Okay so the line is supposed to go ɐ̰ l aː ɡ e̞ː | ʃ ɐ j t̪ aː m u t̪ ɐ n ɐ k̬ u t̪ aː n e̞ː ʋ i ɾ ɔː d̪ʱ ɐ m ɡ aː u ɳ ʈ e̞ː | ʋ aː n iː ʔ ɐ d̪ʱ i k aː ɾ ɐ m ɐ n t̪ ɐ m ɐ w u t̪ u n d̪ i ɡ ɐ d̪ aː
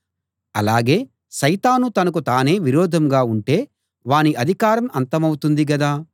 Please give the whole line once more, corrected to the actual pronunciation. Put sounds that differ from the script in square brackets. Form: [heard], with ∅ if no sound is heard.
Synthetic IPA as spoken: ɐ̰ l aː ɡ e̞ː | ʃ ɐ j t̪ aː [n] u t̪ ɐ n ɐ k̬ u t̪ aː n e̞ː ʋ i ɾ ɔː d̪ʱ ɐ m ɡ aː u ɳ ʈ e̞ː | ʋ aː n [i] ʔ ɐ d̪ʱ i k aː ɾ ɐ m ɐ n t̪ ɐ m ɐ w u t̪ u n d̪ i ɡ ɐ d̪ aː